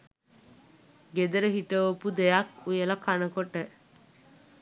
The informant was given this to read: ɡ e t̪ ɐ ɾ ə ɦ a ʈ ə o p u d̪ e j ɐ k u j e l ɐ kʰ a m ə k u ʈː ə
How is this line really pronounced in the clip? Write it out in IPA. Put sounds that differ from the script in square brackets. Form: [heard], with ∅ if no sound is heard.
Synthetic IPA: ɡ e [d̪] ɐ ɾ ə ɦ [i] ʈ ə o p u d̪ e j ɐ k u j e l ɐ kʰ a [n] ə k [o] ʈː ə